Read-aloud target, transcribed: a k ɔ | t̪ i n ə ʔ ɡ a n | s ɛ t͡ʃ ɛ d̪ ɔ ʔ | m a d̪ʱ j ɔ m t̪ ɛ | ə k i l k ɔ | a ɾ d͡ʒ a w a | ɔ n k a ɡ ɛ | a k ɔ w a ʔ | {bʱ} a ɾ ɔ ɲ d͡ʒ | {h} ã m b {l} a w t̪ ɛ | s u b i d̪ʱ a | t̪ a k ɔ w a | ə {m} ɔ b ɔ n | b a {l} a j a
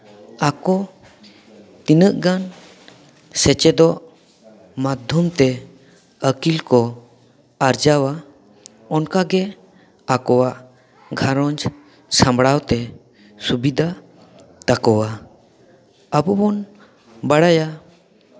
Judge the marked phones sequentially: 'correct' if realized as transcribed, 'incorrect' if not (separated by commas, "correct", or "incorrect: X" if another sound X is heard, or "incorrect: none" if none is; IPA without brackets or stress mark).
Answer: incorrect: ɡʱ, incorrect: s, incorrect: ɽ, incorrect: b, incorrect: ɽ